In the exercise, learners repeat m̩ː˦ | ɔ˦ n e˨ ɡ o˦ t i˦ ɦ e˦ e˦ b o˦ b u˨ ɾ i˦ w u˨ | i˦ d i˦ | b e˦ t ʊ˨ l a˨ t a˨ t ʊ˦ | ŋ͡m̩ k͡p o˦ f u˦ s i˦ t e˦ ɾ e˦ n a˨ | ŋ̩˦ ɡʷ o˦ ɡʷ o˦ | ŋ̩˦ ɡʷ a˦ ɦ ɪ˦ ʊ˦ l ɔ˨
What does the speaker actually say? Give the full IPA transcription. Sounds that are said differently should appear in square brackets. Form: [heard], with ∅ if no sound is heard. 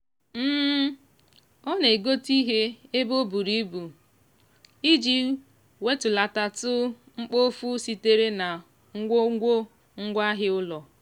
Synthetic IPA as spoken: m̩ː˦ | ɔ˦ n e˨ ɡ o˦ t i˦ ɦ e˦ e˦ b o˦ b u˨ ɾ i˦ [b] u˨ | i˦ [d͡ʒ] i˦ | [w] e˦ t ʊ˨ l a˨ t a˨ t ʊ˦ | ŋ͡m̩ k͡p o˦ f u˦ s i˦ t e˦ ɾ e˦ n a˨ | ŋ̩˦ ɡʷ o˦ ɡʷ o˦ | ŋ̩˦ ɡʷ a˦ ɦ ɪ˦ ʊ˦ l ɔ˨